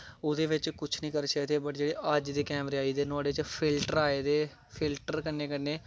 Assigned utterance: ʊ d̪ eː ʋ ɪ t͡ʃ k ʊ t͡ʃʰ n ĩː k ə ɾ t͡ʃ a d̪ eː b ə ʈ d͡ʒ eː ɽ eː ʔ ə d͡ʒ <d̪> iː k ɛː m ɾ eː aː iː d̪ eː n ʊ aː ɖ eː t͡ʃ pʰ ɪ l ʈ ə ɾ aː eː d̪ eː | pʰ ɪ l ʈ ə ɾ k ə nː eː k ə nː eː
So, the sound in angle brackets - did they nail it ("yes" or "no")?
yes